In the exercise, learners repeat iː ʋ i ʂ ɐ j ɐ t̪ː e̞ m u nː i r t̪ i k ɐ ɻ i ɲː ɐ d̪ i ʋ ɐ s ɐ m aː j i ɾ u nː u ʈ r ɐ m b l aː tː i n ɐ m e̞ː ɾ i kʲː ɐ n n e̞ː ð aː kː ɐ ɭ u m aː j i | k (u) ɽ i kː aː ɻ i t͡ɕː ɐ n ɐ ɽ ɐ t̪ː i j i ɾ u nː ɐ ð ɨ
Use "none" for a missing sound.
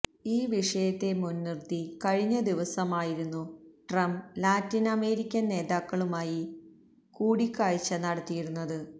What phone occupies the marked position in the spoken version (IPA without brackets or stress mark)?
uː